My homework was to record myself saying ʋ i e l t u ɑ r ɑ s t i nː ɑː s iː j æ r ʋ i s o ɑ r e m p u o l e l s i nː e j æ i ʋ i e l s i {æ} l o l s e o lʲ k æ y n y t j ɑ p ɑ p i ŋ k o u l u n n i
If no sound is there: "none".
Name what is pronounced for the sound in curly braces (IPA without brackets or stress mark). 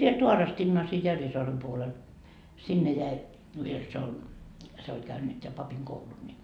e